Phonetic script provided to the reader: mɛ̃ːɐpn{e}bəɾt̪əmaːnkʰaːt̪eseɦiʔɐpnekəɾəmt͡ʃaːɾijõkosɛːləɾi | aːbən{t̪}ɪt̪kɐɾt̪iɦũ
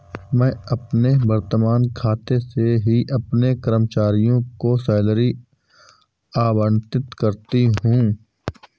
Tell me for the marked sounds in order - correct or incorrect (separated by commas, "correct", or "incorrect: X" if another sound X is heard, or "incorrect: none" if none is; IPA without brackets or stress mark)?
correct, correct